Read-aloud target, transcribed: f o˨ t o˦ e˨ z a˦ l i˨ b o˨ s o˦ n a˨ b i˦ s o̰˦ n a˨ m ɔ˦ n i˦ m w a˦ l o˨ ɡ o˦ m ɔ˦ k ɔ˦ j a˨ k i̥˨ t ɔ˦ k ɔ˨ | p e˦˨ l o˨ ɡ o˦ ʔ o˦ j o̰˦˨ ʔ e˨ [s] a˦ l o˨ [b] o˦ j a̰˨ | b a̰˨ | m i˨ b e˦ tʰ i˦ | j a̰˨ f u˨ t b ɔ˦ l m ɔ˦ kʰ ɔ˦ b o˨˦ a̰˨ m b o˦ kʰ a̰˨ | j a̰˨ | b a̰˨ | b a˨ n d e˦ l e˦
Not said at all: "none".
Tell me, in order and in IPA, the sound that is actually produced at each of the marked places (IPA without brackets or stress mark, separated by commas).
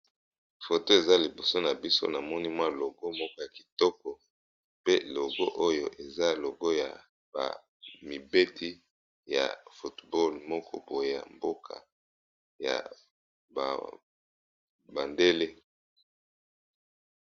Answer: z, ɡ